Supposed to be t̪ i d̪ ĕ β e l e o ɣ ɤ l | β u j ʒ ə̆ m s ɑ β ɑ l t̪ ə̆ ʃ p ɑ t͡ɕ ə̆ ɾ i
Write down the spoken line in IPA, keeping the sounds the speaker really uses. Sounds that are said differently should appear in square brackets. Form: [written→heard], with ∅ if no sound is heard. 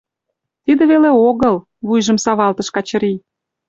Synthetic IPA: t̪ i d̪ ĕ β e l e o ɣ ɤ l | β u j ʒ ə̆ m s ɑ β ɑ l t̪ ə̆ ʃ [p→k] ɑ t͡ɕ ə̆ ɾ i